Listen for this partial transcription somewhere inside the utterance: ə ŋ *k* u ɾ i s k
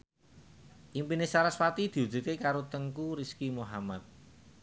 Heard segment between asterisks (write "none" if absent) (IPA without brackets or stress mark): k